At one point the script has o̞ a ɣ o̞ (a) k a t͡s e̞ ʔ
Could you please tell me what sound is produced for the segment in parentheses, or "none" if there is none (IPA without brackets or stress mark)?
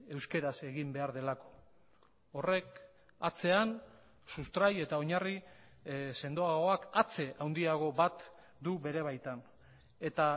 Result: a